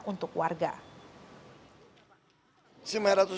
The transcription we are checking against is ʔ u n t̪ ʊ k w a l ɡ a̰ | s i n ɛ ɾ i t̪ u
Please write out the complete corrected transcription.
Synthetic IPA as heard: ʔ u n t̪ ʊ k w a r ɡ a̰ | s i m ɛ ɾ a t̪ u